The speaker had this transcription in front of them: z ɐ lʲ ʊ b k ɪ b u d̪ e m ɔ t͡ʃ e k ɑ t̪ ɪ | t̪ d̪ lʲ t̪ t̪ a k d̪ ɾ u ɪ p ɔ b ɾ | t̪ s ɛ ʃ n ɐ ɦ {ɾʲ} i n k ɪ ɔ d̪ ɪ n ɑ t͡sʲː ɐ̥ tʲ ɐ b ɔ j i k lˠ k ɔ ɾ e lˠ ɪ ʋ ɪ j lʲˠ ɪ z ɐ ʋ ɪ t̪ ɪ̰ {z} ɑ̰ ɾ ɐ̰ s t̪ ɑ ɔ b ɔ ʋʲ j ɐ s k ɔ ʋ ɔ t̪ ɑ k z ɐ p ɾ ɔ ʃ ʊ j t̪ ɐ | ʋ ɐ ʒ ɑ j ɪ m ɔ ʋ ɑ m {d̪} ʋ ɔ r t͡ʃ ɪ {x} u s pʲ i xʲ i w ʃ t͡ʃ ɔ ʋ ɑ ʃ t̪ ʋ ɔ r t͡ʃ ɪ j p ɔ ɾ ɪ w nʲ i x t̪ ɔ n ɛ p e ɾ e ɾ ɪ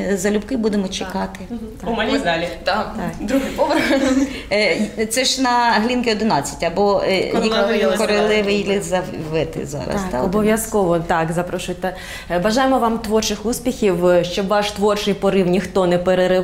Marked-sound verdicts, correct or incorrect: incorrect, correct, incorrect, correct

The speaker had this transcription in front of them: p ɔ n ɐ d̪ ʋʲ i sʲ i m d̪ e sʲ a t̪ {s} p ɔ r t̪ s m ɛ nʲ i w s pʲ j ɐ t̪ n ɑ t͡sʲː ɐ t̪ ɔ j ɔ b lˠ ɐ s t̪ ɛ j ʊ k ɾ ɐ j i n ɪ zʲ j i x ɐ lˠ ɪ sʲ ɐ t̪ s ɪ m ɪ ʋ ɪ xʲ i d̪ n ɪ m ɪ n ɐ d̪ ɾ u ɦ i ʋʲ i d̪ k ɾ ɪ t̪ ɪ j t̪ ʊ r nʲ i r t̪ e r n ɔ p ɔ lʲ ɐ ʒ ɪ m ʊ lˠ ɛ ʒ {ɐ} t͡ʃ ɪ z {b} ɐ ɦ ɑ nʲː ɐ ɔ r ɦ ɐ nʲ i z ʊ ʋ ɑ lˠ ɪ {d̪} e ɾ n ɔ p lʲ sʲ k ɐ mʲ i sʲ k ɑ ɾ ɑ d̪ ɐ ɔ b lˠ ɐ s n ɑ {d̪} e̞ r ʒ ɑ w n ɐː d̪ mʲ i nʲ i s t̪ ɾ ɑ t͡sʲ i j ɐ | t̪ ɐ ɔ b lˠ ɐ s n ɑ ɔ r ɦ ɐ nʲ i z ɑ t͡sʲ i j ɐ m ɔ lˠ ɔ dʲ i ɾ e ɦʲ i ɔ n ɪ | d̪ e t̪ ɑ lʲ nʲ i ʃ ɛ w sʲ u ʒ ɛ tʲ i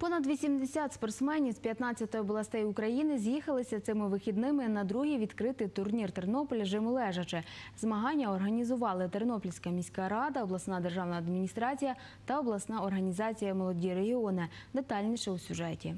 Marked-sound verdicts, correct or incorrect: correct, correct, incorrect, incorrect, correct

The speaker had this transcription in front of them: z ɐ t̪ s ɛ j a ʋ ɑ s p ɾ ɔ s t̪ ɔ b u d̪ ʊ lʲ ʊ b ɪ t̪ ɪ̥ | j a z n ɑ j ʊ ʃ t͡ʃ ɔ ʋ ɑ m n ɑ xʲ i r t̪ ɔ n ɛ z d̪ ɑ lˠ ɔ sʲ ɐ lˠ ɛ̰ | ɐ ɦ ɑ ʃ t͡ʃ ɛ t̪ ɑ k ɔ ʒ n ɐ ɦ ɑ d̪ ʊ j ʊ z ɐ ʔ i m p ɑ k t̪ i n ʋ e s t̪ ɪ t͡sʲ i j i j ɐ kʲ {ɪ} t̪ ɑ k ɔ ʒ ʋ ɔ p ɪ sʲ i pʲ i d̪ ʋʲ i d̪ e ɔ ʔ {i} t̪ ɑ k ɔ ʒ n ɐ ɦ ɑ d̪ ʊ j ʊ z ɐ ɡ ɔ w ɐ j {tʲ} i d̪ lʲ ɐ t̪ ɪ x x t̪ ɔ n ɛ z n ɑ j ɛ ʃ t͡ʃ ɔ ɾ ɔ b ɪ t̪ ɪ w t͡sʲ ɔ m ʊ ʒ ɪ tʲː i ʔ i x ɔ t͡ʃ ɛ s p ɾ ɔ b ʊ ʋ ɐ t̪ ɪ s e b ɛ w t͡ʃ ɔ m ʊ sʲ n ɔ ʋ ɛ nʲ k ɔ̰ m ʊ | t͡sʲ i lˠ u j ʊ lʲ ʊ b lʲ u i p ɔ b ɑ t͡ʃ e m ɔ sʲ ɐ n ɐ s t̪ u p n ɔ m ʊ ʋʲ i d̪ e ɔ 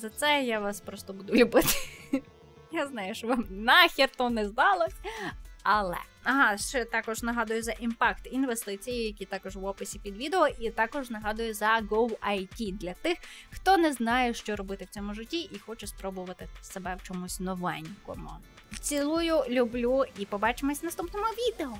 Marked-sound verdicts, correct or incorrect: incorrect, correct, correct

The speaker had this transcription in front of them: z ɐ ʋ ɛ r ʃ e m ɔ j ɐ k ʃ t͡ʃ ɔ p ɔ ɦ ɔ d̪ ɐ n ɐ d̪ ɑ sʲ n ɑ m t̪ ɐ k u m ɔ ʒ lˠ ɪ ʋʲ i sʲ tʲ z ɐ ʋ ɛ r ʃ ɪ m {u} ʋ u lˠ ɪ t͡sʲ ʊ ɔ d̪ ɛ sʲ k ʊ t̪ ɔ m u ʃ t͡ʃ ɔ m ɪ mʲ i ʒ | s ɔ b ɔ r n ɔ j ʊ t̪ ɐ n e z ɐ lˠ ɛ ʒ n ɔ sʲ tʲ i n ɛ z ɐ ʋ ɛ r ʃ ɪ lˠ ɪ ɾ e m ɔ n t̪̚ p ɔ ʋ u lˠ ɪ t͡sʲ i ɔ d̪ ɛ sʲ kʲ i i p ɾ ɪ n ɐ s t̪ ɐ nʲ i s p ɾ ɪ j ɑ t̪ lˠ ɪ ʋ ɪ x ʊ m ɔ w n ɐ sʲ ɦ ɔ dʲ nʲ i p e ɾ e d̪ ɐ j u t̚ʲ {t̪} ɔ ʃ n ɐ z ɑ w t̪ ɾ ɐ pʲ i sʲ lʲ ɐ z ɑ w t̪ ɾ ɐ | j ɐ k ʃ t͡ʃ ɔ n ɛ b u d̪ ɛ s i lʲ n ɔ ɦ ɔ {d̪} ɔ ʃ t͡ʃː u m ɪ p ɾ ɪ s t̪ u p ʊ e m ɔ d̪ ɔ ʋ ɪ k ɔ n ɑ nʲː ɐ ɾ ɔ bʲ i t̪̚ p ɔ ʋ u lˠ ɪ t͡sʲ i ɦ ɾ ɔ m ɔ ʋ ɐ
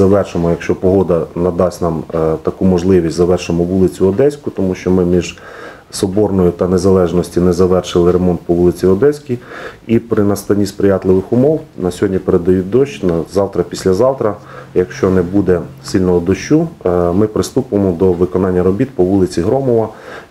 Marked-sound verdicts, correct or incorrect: incorrect, incorrect, correct

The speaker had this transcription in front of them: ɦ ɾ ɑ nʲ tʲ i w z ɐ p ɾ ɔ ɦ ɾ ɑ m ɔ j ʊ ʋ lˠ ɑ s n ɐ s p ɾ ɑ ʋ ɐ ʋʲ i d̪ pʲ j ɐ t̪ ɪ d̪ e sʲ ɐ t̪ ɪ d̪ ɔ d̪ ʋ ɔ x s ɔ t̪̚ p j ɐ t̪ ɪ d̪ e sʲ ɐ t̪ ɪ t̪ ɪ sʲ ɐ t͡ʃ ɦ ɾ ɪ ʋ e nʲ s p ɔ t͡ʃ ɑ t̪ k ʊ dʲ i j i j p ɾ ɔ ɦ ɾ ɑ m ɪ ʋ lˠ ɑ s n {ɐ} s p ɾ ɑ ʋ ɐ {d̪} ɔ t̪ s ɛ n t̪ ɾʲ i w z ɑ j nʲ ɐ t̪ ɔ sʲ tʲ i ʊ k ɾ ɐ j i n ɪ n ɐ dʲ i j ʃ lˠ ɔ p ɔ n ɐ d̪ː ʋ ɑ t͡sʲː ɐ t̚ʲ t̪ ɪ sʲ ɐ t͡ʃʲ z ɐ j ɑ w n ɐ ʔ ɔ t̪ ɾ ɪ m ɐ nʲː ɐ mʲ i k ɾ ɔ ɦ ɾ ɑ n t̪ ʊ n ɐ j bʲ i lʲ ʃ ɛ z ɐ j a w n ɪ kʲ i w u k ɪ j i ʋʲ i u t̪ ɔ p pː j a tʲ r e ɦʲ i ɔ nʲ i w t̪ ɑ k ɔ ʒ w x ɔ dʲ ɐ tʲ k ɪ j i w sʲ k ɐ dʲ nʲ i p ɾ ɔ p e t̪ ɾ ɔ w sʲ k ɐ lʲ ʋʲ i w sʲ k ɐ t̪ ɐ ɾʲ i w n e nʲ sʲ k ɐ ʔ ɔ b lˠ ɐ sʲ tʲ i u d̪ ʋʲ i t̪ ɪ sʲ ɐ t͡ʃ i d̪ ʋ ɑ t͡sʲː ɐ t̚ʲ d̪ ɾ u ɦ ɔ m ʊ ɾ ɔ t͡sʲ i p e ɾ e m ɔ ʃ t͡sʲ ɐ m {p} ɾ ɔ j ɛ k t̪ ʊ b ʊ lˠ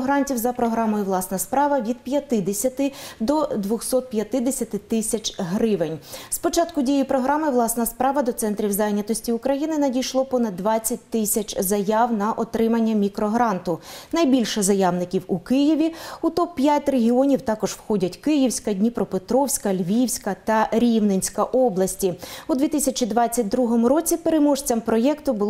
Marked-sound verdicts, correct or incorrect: correct, correct, correct

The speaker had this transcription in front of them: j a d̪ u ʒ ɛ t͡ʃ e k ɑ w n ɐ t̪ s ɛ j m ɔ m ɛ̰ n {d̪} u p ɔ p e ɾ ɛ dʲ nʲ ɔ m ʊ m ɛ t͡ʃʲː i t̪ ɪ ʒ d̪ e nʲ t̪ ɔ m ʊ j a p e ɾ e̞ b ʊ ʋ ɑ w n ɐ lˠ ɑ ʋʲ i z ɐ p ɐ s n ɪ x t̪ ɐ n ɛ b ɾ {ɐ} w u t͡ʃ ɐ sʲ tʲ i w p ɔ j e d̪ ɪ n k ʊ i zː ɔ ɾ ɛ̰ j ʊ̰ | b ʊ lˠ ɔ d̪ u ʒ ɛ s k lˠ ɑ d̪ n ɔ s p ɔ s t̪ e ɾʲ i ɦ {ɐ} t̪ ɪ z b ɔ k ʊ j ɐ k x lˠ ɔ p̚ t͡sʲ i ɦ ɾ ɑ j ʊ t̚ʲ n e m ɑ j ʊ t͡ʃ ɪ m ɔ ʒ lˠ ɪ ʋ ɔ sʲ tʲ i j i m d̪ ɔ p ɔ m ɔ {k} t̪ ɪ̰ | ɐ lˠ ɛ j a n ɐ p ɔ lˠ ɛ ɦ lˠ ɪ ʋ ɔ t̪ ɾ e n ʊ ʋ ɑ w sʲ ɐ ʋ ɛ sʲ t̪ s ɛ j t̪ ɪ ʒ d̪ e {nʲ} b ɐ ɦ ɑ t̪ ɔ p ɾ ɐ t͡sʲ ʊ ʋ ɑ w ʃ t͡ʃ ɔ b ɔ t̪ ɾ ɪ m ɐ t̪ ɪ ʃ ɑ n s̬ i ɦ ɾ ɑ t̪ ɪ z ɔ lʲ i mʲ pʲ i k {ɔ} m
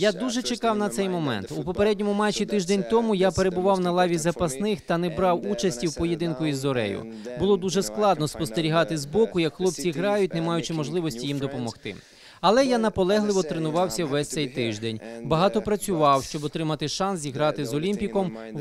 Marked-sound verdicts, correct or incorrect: incorrect, incorrect, incorrect, incorrect, correct, correct

